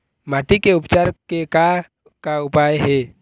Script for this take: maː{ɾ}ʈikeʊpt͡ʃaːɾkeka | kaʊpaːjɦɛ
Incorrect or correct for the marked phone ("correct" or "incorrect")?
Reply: incorrect